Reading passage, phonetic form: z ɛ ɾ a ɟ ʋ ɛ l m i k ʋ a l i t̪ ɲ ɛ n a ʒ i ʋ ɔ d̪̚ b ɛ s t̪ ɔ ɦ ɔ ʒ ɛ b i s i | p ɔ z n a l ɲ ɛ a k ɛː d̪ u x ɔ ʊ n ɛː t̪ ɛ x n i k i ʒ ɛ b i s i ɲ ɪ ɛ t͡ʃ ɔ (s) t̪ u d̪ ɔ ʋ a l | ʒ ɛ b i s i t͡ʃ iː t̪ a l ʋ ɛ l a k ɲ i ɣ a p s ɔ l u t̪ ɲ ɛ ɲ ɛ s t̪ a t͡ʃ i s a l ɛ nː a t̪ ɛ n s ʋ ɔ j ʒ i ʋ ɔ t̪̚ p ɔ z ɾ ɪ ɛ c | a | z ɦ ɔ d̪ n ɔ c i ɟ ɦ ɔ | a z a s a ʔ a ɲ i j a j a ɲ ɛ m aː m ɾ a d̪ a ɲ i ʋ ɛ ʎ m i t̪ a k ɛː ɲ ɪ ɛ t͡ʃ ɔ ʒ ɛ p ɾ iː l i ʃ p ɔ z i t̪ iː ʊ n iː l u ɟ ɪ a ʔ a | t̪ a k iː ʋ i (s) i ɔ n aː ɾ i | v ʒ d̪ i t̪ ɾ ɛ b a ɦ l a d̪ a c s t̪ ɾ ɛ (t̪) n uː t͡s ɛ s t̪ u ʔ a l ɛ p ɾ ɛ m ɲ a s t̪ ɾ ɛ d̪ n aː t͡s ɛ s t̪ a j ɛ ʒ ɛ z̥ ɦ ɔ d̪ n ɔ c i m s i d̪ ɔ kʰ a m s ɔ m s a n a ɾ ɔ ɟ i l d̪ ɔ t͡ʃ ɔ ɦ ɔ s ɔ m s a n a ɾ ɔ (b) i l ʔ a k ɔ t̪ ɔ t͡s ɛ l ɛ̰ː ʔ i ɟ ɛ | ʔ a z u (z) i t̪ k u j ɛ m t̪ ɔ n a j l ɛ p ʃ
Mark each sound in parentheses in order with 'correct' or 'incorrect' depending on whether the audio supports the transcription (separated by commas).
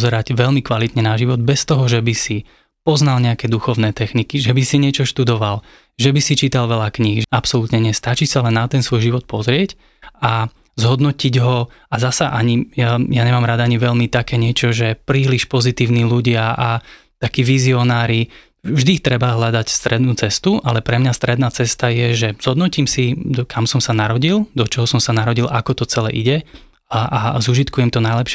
incorrect, incorrect, incorrect, incorrect, incorrect